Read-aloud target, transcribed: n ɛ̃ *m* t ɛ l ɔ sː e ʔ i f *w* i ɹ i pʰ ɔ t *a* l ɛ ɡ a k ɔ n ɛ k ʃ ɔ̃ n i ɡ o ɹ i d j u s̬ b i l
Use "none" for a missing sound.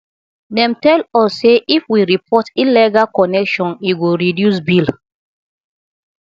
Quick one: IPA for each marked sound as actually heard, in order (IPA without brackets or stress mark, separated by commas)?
m, w, i